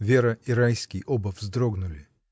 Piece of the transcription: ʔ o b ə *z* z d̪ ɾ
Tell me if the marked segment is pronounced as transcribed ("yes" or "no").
no